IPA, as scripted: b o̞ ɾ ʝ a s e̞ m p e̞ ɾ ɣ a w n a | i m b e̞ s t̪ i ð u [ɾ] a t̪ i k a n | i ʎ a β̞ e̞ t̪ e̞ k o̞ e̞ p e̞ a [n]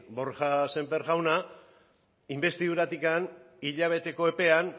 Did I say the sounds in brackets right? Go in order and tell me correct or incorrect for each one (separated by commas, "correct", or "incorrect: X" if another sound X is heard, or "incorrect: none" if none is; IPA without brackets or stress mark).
correct, correct